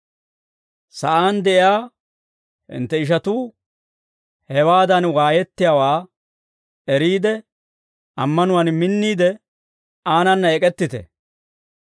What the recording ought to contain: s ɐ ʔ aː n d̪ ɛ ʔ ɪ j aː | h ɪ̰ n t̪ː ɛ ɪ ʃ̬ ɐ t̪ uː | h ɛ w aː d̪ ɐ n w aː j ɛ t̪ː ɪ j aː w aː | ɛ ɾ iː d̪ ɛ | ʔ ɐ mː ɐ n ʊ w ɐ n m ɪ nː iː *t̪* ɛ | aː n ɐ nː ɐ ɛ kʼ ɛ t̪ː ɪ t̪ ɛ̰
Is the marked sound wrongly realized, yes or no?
yes